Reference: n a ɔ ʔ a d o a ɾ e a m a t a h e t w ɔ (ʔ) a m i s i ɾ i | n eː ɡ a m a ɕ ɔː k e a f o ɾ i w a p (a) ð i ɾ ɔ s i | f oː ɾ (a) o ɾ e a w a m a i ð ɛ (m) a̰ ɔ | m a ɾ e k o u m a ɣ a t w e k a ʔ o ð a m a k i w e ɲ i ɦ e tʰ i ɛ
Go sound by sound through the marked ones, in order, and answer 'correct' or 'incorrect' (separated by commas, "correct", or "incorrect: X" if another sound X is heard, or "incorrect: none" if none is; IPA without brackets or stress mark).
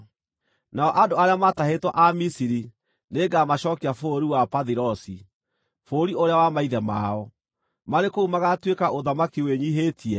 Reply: correct, correct, incorrect: i, correct